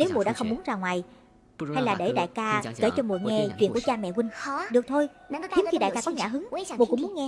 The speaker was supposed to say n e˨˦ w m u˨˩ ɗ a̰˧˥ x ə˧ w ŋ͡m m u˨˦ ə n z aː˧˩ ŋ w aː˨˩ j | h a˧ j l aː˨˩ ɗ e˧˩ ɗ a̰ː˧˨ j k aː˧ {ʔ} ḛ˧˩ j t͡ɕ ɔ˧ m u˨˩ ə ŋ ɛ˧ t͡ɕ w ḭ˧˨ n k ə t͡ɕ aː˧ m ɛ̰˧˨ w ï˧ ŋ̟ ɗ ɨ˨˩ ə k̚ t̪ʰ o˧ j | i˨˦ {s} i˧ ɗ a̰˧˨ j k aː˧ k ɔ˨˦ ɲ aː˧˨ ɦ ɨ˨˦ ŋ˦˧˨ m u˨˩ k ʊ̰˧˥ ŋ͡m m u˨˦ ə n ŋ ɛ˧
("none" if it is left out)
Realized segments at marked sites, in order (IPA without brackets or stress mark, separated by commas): k, x